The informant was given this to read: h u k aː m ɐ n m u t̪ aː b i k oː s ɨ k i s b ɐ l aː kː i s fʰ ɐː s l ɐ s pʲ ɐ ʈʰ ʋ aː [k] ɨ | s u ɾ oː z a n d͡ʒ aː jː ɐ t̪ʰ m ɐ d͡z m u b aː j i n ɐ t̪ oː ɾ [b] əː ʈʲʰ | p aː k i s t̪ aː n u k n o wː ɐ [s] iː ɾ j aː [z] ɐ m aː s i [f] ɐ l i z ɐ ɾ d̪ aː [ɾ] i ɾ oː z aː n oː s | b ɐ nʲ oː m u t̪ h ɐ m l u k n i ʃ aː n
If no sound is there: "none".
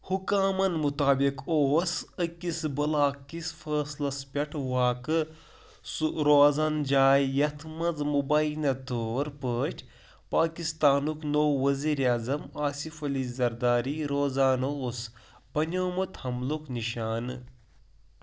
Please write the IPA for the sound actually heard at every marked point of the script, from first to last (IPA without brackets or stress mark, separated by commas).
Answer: k, p, z, z, f, ɾ